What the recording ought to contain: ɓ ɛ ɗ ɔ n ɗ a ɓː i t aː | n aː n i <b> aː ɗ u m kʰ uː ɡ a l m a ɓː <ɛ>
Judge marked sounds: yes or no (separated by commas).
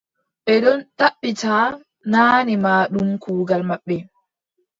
no, yes